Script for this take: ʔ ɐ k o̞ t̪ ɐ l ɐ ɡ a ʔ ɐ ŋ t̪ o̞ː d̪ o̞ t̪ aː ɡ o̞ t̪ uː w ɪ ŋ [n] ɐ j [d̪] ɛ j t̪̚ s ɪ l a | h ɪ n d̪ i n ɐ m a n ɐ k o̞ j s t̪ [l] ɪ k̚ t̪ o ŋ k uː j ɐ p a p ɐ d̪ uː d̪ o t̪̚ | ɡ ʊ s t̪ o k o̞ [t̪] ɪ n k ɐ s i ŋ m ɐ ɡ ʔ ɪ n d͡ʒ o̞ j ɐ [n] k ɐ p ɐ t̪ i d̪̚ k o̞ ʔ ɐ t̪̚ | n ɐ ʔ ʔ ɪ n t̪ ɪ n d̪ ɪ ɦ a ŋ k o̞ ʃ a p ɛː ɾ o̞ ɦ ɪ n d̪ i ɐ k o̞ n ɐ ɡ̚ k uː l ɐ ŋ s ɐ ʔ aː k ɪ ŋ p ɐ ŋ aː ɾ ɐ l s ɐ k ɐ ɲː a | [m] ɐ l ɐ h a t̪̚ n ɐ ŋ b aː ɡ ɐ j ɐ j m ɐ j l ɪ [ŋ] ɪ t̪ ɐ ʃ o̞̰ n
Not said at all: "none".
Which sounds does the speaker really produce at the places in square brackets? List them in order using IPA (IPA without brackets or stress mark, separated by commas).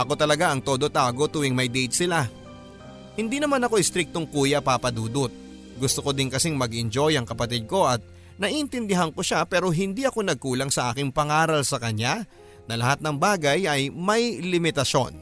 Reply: m, d̪, ɾ, d̪, ŋ, n, m